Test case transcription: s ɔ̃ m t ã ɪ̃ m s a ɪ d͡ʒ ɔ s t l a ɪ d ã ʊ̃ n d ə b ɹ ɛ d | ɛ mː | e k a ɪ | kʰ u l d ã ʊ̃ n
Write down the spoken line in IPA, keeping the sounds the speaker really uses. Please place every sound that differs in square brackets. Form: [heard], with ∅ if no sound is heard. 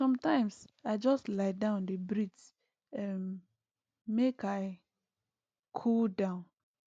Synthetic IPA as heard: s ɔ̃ m t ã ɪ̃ m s a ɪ d͡ʒ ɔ s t l a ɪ d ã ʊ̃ n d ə b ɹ [i] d | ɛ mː | e k a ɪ | kʰ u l d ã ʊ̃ n